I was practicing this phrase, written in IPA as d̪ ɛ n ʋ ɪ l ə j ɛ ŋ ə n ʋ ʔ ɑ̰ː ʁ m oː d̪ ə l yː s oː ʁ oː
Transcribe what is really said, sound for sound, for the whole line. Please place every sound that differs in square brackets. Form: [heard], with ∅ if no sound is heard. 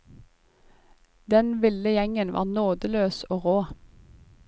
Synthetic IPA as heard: d̪ ɛ n ʋ ɪ l ə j ɛ ŋ ə n ʋ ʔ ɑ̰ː ʁ [n] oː d̪ ə l [øː] s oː ʁ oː